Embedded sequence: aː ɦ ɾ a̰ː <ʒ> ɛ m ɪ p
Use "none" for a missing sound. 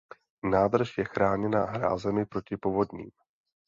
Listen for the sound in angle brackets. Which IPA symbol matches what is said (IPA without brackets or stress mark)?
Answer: z